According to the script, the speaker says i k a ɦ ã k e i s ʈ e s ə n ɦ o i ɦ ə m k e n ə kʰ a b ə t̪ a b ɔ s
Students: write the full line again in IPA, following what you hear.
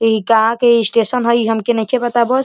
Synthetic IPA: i k a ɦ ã k e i s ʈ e s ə n ɦ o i ɦ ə m k e n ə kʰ e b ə t̪ a b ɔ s